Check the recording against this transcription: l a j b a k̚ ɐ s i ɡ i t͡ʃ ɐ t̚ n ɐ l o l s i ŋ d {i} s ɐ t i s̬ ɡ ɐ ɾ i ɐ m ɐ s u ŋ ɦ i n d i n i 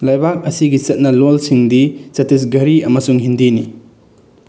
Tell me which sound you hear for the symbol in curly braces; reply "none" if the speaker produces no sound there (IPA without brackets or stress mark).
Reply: i